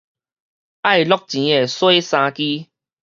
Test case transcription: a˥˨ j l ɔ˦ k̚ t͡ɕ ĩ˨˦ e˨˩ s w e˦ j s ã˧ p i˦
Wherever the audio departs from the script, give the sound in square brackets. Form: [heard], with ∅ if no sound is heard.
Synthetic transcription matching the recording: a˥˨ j l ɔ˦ k̚ t͡ɕ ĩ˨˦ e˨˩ s w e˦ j s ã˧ [k] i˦